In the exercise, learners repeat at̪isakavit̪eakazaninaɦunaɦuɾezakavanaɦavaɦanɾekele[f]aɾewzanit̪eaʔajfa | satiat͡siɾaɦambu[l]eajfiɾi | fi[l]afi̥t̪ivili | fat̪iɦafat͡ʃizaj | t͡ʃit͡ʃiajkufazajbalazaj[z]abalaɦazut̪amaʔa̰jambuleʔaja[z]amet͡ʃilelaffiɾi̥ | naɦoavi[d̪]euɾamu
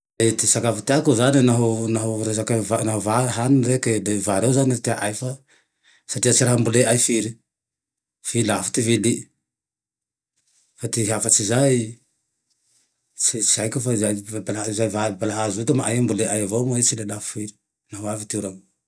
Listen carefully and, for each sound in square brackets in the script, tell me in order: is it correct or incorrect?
incorrect, correct, correct, incorrect, incorrect, incorrect

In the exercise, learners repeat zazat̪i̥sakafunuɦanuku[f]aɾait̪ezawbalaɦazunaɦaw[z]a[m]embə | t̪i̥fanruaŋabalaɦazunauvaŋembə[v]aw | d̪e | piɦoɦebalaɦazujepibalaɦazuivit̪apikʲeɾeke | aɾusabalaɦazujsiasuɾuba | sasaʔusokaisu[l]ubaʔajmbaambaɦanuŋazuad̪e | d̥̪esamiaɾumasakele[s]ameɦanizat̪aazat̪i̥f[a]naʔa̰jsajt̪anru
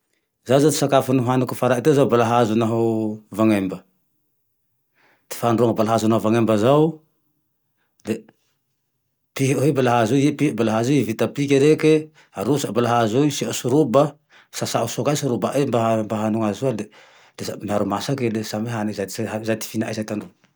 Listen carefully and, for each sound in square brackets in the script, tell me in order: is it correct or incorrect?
correct, incorrect, incorrect, incorrect, incorrect, correct, incorrect

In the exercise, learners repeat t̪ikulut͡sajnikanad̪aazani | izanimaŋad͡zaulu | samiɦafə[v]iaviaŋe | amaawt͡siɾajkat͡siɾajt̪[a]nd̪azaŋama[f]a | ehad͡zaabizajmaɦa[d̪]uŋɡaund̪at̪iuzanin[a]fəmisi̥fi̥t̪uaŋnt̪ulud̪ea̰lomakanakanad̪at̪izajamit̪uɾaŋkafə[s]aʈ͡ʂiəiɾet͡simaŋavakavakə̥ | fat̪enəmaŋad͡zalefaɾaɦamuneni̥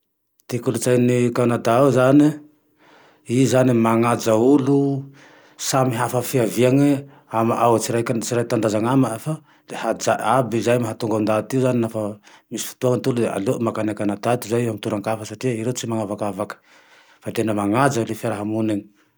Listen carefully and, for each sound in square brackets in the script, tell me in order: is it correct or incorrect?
incorrect, correct, correct, incorrect, correct, correct

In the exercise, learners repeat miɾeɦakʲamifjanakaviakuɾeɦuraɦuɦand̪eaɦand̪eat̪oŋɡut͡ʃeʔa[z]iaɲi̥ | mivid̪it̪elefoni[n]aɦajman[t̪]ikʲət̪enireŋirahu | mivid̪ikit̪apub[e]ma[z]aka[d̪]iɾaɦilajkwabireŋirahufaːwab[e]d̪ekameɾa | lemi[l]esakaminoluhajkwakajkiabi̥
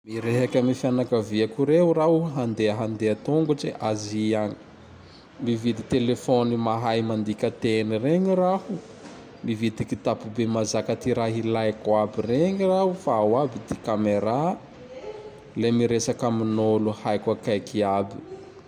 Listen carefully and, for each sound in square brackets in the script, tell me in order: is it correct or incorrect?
correct, incorrect, incorrect, correct, correct, incorrect, incorrect, incorrect

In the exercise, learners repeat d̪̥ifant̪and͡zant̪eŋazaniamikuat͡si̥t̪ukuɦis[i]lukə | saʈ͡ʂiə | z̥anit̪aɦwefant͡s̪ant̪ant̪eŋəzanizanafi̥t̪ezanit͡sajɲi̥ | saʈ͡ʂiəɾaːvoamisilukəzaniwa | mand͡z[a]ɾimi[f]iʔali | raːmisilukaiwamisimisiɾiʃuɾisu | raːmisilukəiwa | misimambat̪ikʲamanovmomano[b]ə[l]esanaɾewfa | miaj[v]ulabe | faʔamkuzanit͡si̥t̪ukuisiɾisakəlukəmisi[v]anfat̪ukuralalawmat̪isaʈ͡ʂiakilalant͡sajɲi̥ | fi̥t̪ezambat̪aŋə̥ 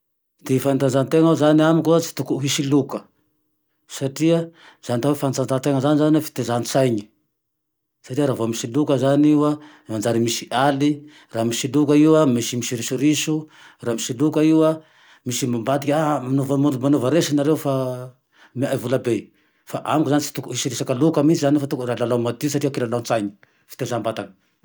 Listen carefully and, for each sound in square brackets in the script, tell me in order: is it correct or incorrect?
correct, correct, incorrect, incorrect, incorrect, correct, incorrect

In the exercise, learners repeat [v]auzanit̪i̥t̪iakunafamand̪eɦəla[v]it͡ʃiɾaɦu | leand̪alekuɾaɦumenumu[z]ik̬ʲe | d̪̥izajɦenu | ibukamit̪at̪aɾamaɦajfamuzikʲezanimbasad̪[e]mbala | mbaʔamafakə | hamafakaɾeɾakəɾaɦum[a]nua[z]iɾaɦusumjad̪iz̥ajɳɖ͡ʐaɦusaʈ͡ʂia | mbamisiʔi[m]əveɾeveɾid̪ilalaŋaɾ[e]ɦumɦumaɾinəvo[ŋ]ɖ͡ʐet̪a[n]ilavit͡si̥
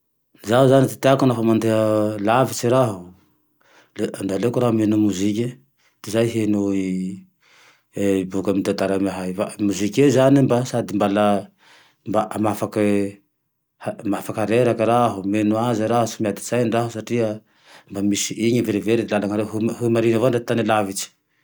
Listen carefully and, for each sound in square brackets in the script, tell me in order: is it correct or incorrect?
incorrect, correct, correct, incorrect, incorrect, correct, incorrect, correct, incorrect, correct

